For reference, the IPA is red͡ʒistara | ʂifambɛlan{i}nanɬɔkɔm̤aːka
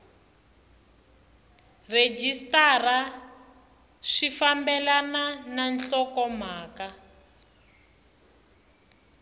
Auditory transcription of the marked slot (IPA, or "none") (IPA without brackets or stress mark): a